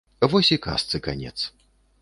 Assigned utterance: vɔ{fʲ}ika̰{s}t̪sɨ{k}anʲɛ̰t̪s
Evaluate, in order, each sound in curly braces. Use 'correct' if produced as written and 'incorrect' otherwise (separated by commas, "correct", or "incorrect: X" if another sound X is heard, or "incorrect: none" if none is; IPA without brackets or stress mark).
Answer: incorrect: sʲ, correct, correct